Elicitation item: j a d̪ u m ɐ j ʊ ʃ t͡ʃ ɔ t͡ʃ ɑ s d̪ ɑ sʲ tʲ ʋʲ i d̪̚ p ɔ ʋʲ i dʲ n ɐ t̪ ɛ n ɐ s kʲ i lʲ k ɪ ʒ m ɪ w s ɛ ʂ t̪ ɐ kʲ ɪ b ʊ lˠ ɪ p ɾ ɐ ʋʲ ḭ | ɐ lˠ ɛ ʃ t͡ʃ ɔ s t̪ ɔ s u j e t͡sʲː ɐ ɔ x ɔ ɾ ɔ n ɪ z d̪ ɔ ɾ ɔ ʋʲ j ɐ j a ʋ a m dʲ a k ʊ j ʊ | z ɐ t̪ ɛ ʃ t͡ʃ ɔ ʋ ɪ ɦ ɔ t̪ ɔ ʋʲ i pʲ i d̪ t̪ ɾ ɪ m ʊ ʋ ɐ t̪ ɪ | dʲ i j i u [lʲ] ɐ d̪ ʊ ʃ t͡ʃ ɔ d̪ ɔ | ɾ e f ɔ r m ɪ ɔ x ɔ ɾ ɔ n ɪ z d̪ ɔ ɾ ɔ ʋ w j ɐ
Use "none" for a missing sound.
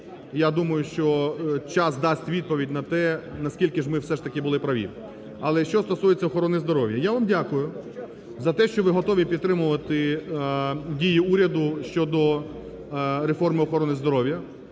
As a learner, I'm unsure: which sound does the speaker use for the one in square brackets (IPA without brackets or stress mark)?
ɾʲ